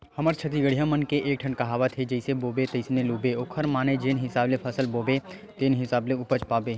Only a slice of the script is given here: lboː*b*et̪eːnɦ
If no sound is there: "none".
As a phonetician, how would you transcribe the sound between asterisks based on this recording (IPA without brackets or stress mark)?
b